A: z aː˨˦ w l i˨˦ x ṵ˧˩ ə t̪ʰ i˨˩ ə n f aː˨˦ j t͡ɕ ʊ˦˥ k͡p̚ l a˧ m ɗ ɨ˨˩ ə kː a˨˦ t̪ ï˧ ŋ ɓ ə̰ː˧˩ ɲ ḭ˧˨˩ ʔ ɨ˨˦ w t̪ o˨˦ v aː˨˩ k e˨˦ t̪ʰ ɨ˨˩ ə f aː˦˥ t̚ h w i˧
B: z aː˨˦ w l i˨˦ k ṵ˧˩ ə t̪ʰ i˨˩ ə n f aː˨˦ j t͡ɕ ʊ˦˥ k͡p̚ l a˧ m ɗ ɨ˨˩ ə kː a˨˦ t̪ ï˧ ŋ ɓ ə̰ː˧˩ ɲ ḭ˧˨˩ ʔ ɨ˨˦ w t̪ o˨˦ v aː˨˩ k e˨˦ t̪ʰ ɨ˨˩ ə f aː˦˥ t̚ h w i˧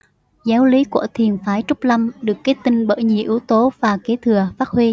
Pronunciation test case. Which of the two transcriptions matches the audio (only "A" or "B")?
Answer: B